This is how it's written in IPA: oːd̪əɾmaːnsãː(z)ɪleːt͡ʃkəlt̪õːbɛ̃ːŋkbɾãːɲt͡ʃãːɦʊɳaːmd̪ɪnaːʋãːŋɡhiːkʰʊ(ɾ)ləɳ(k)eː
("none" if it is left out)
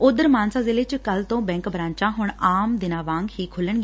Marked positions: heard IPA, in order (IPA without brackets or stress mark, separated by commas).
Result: z, none, ɡ